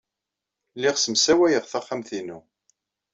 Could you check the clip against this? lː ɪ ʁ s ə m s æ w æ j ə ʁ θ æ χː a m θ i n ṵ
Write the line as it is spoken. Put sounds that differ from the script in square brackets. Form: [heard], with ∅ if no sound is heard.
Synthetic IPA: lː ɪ ʁ s ə m s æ w æ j ə ʁ θ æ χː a m θ i n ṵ

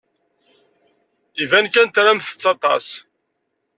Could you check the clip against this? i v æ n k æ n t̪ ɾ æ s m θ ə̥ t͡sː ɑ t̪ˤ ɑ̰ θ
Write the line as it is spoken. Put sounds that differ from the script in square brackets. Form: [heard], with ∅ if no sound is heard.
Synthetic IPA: i v æ n k æ n t̪ ɾ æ [∅] m θ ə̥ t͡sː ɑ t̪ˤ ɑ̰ [s]

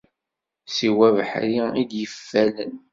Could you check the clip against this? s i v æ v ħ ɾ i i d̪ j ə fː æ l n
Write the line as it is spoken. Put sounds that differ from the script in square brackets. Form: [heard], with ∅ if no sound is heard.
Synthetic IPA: s i [w] æ v ħ ɾ i i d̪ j ə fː æ l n

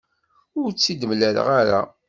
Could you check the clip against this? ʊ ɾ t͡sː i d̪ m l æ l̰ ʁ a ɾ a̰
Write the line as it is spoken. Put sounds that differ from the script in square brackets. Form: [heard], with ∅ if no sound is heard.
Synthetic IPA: ʊ ɾ t͡sː i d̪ m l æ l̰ ʁ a ɾ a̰

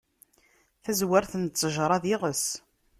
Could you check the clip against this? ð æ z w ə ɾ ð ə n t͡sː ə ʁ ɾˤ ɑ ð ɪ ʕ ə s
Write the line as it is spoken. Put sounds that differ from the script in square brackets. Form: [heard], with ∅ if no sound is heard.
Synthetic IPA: [θ] æ z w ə ɾ [θ] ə n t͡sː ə [ʒ] ɾˤ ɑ ð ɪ [ʁ] ə s

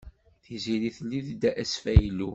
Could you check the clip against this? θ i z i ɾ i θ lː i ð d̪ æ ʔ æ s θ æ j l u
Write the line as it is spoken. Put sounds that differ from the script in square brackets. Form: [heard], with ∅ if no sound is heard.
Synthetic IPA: θ i z i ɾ i θ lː i ð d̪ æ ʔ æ s [f] æ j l u

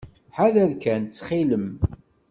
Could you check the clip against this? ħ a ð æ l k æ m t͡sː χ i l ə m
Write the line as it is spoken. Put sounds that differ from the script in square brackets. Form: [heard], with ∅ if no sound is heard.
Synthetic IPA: ħ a ð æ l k æ [n] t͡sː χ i l ə m

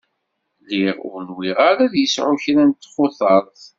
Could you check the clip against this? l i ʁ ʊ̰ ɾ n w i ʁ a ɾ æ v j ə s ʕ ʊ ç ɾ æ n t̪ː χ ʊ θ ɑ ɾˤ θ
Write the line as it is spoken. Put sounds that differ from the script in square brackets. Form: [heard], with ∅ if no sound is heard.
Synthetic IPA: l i ʁ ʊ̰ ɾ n w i ʁ a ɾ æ [ð] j ə s ʕ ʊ ç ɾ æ n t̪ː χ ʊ θ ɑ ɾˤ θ

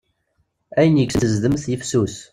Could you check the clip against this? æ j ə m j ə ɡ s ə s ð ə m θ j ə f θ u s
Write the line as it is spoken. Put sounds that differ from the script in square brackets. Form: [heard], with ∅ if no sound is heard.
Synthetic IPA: æ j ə [n] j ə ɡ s ə [z] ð ə m θ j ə f [s] u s

